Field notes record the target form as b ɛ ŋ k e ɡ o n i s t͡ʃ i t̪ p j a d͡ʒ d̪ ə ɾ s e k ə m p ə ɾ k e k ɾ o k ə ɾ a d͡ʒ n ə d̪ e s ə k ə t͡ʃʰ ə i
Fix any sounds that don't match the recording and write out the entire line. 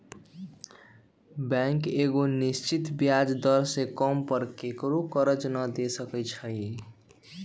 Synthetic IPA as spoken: b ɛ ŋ k e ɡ o n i s t͡ʃ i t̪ b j a d͡ʒ d̪ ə ɾ s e k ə m p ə ɾ k e k ɾ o k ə ɾ ə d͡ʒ n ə d̪ e s ə k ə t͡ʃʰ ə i